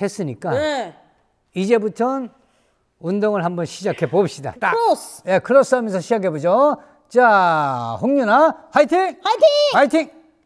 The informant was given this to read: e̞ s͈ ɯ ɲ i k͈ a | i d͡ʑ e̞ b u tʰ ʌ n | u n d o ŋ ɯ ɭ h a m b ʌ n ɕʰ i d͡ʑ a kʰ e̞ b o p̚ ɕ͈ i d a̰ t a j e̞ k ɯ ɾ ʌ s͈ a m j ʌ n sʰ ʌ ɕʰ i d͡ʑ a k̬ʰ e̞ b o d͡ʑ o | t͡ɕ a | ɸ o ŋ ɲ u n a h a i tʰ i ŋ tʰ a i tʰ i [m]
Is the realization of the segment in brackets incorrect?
yes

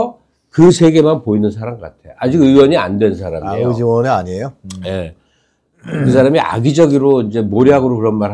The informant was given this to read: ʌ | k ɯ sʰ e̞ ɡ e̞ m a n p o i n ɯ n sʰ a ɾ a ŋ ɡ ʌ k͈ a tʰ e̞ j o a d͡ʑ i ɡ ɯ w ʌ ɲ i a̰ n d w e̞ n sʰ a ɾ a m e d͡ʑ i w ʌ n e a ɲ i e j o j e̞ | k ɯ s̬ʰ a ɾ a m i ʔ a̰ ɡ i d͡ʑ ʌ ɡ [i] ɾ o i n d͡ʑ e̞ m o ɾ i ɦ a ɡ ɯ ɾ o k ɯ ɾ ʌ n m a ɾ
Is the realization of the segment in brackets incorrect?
no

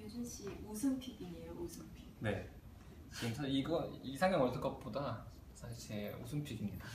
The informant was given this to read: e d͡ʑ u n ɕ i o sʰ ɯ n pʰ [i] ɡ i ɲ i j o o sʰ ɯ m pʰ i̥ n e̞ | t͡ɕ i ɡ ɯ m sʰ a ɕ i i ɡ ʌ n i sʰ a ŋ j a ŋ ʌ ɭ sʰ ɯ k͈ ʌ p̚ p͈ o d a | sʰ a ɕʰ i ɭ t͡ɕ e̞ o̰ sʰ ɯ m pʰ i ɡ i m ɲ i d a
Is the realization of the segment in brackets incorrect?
no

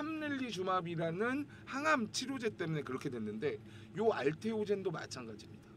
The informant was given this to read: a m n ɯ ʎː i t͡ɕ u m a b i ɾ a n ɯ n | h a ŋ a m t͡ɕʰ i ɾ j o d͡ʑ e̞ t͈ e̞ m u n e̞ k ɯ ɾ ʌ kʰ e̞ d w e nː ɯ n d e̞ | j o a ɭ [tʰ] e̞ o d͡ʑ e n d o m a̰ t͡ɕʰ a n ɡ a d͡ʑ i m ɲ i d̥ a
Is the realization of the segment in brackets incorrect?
no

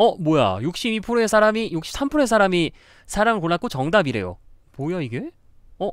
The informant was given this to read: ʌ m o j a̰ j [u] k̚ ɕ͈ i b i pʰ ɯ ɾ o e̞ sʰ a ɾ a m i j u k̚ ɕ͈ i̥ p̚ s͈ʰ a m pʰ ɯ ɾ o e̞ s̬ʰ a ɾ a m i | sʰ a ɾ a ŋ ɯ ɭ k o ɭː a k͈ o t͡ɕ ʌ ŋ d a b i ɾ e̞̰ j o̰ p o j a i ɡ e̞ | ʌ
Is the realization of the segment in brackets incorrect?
no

